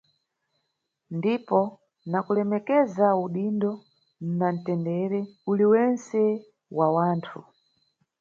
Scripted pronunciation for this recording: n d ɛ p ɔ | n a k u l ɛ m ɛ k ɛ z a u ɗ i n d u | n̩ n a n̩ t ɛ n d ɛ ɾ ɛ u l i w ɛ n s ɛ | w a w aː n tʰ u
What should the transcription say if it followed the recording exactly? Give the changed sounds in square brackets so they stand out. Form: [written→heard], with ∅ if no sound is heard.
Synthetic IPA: n d [ɛ→i] p ɔ | n a k u l ɛ m ɛ k ɛ z a u ɗ i n d [u→ɔ] | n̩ n a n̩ t ɛ n d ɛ ɾ ɛ u l i w ɛ n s ɛ | w a w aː n tʰ u